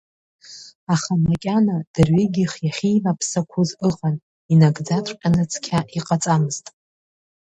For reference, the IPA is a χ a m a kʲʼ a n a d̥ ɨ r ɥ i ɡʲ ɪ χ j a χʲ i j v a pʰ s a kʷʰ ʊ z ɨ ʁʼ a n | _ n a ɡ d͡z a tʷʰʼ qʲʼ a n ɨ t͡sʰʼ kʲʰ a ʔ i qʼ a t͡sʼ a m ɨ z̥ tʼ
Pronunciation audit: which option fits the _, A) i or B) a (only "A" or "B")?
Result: A